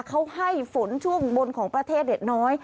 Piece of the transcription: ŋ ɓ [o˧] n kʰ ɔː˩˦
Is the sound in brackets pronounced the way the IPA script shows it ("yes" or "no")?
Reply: yes